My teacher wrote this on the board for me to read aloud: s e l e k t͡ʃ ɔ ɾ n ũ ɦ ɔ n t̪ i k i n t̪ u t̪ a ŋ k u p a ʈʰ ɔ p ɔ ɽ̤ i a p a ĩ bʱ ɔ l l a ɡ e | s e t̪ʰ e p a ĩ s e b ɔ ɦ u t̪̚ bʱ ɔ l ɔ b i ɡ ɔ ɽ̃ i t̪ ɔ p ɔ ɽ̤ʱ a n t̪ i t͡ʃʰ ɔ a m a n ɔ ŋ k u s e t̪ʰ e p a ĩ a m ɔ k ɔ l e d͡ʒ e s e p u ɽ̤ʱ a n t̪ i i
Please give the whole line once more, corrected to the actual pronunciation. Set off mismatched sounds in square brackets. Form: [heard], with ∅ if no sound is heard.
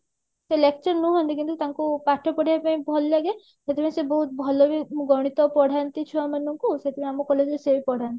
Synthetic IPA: s e l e k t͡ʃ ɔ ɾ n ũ ɦ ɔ n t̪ i k i n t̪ u t̪ a ŋ k u p a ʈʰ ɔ p ɔ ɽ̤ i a p a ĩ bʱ ɔ l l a ɡ e | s e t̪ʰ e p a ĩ s e b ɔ ɦ u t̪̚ bʱ ɔ l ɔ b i ɡ ɔ ɽ̃ i t̪ ɔ p ɔ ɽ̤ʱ a n t̪ i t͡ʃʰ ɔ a m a n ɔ ŋ k u s e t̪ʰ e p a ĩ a m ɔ k ɔ l e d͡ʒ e s e p [ɔ] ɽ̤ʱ a n t̪ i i